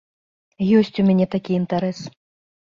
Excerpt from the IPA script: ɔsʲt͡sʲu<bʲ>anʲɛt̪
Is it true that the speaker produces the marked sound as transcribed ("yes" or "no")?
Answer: no